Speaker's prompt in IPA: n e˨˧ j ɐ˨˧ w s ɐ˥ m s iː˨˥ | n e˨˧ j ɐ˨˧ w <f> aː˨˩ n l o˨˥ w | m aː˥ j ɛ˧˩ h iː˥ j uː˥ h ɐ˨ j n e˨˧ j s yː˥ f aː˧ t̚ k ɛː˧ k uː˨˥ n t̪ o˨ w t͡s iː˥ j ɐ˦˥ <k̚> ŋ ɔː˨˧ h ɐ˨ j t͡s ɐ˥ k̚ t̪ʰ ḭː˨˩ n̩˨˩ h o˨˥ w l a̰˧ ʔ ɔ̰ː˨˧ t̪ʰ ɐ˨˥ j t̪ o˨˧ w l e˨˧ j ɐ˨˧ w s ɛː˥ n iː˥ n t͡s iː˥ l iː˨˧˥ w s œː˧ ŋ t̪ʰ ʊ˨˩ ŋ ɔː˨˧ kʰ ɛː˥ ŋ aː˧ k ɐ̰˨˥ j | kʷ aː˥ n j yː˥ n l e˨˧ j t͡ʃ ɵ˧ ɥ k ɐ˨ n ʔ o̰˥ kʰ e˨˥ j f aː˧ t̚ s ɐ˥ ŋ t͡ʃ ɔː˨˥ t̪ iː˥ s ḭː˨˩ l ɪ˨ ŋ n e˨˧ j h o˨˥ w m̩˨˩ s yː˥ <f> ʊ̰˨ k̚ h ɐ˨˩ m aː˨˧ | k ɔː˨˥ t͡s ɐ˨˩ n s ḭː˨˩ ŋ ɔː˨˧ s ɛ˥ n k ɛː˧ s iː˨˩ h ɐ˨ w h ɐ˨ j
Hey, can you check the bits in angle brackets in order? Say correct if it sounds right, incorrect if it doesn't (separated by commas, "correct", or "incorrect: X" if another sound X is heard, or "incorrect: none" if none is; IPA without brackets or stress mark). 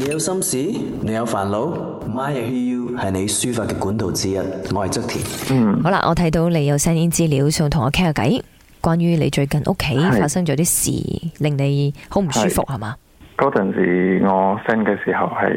correct, incorrect: t̚, correct